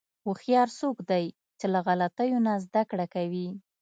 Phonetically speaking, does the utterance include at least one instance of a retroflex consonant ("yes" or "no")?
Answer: yes